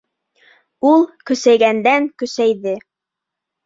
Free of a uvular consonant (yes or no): yes